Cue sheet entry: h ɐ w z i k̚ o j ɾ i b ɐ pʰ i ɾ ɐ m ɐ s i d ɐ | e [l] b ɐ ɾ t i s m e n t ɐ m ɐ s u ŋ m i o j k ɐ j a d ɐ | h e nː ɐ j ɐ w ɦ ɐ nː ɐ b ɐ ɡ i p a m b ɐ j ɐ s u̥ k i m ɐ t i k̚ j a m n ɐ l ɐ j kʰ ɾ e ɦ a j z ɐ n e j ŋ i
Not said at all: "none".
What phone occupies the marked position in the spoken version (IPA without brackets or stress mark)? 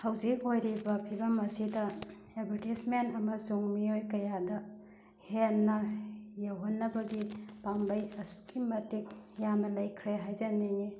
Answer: none